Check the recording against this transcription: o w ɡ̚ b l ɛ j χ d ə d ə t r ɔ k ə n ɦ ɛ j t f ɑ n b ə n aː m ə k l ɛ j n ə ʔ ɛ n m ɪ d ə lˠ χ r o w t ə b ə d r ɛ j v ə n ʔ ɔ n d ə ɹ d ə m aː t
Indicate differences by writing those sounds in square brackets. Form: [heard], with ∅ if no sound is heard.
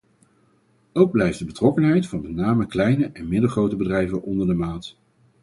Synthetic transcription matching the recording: o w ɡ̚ b l ɛ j [f] d ə [b] ə t r ɔ k ə n ɦ ɛ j t f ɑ n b ə n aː m ə k l ɛ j n ə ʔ ɛ n m ɪ d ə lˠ χ r o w t ə b ə d r ɛ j v ə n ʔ ɔ n d ə ɹ d ə m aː t

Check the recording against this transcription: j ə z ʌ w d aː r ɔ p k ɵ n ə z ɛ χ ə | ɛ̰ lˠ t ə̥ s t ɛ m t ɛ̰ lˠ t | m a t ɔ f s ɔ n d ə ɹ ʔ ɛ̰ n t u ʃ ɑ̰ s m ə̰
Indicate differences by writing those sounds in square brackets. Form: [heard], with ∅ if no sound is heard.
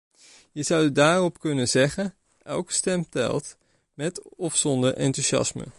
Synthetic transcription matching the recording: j ə z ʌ w d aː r ɔ p k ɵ n ə z ɛ χ ə | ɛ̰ lˠ [k] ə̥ s t ɛ m t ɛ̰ lˠ t | m [ɛ] t ɔ f s ɔ n d ə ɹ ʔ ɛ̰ n t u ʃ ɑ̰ s m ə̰

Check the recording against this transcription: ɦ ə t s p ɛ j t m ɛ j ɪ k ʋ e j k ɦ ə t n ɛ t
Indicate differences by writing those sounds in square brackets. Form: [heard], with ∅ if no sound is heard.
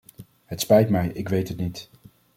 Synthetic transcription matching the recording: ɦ ə t s p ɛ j t m ɛ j ɪ k ʋ e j [t] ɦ ə t n [i] t

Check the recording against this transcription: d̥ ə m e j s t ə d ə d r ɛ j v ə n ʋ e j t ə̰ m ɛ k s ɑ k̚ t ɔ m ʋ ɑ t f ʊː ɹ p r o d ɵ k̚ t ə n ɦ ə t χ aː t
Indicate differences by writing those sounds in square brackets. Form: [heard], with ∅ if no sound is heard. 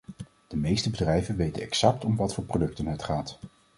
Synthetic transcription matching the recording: d̥ ə m e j s t ə [b] ə d r ɛ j v ə n ʋ e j t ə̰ [n] ɛ k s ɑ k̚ t ɔ m ʋ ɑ t f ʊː ɹ p r o d ɵ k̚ t ə n ɦ ə t χ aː t

